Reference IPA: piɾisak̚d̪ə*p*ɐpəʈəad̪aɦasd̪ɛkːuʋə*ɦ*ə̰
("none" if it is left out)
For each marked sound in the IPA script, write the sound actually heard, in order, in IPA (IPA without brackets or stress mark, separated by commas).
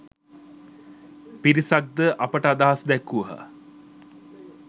ʔ, ɦ